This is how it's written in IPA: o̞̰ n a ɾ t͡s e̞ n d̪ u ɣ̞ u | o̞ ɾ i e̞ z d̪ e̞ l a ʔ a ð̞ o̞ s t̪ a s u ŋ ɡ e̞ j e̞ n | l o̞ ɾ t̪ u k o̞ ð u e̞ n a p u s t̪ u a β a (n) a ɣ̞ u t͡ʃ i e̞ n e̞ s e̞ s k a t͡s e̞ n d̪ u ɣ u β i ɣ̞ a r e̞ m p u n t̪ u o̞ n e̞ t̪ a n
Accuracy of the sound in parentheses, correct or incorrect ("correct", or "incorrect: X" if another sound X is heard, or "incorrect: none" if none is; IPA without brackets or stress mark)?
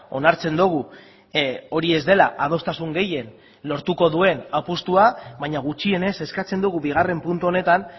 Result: incorrect: ɲ